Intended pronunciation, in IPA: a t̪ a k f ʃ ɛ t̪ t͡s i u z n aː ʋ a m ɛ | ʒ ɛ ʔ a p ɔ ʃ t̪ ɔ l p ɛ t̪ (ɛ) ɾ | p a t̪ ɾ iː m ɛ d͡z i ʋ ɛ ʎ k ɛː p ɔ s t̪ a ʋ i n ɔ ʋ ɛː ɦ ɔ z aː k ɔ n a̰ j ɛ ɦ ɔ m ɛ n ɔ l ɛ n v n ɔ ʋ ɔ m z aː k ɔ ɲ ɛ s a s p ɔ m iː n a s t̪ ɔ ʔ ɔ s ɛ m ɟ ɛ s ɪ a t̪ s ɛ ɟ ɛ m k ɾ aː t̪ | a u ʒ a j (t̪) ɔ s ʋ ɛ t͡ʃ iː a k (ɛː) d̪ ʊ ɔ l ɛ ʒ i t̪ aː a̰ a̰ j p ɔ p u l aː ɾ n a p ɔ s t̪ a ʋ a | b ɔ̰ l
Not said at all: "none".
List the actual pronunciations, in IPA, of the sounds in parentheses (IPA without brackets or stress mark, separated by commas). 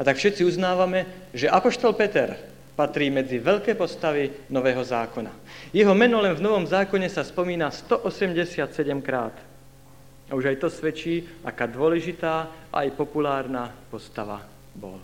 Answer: ɛ, t̪, aː